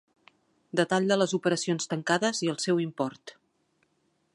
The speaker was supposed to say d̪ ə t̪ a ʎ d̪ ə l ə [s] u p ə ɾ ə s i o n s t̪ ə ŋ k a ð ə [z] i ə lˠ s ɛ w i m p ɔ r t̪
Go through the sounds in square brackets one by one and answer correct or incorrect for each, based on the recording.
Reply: incorrect: z, correct

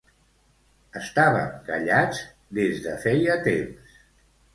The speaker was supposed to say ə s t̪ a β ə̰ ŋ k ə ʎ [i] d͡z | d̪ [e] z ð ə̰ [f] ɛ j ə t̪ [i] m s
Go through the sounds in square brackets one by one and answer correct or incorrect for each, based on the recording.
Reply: incorrect: a, correct, correct, incorrect: e

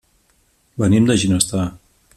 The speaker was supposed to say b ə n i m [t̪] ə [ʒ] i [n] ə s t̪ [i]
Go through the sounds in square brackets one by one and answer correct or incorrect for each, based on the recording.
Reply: incorrect: d̪, correct, correct, incorrect: a

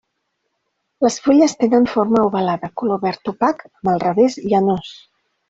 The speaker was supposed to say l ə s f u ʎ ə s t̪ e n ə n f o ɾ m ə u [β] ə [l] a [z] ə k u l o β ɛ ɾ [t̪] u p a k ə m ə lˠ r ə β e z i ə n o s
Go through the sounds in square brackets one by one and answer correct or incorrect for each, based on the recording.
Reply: correct, correct, incorrect: ð, correct

